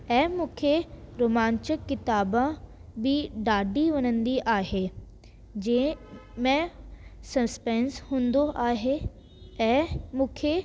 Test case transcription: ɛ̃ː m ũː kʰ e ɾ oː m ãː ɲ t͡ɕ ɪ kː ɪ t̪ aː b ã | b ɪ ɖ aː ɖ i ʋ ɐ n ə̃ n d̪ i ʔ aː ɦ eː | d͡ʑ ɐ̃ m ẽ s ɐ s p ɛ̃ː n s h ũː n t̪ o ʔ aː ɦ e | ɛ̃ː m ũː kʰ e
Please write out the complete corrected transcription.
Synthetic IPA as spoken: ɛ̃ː m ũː kʰ e ɾ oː m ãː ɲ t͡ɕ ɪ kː ɪ t̪ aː b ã | b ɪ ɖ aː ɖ i ʋ ɐ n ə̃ n d̪ i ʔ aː ɦ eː | d͡ʑ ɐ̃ m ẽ s ɐ s p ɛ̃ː n s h ũː n d̪ o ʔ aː ɦ e | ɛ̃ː m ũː kʰ e